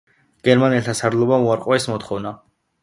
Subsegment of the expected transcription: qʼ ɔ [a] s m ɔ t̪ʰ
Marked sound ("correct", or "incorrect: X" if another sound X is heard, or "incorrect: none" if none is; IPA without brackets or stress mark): incorrect: ɛ